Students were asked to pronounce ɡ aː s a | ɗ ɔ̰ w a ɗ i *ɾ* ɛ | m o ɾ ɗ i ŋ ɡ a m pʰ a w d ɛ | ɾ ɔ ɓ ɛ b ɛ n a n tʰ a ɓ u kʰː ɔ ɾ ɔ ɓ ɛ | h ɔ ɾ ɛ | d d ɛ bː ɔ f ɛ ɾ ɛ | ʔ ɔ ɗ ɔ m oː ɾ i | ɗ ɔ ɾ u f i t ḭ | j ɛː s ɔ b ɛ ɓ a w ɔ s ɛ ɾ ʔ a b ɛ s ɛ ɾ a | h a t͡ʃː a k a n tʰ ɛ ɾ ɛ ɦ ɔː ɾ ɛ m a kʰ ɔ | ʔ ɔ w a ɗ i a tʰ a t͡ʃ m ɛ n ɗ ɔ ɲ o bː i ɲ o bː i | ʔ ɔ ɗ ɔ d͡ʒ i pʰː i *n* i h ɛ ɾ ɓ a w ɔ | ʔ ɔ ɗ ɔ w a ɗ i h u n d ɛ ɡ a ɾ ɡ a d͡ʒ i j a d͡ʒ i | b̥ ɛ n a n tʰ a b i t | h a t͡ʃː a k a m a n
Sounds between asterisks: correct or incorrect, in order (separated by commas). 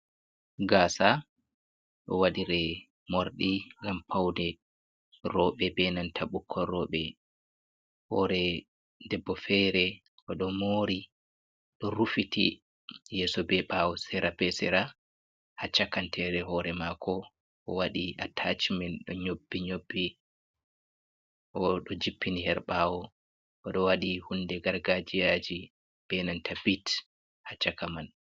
correct, correct